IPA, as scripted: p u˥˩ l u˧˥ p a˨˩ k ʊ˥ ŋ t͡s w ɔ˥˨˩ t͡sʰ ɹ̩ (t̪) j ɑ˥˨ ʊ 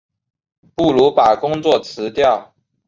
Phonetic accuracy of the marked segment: correct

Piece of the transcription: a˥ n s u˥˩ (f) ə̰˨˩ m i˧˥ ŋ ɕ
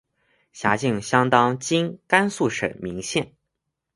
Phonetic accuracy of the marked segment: incorrect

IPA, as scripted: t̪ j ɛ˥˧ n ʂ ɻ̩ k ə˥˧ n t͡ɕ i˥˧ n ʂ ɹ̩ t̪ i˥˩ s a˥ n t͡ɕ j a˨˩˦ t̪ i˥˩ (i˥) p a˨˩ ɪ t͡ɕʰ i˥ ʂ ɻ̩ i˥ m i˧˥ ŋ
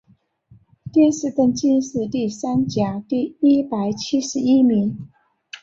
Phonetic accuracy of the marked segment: correct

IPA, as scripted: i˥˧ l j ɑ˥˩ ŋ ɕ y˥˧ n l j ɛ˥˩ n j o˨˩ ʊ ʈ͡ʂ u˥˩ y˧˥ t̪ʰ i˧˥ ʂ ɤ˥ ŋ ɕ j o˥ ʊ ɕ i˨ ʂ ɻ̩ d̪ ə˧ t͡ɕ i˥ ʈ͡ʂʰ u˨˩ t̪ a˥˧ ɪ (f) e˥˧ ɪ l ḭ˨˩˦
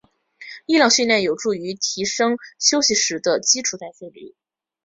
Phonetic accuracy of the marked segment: correct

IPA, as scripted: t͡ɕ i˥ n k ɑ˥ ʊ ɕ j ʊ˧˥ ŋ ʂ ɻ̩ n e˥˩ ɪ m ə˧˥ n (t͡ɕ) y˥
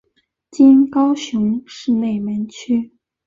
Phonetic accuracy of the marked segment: incorrect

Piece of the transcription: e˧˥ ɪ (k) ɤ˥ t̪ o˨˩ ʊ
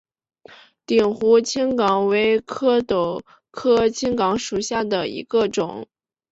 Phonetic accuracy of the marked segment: incorrect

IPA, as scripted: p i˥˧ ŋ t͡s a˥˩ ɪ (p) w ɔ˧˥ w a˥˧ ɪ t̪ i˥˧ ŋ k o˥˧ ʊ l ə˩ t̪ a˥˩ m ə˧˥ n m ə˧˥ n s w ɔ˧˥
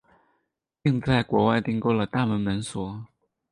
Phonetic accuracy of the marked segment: incorrect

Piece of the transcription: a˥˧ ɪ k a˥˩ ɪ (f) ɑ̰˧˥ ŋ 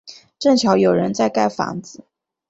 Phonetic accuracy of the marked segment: correct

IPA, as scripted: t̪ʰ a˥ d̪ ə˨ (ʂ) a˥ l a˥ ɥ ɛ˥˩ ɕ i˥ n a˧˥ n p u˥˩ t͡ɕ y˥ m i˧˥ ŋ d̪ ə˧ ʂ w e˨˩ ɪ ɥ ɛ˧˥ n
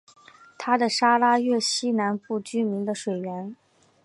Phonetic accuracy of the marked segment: correct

